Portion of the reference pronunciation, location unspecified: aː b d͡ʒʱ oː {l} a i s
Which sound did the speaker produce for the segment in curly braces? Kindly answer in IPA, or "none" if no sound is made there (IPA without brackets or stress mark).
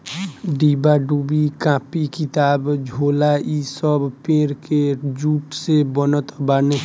l